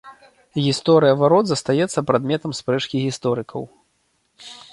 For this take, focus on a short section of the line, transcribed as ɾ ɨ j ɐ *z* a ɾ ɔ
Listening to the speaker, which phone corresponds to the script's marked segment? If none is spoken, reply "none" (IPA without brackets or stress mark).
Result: v